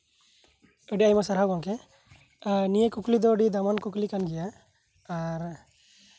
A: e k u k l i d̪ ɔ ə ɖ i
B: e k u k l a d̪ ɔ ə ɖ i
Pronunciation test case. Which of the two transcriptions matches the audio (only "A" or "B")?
A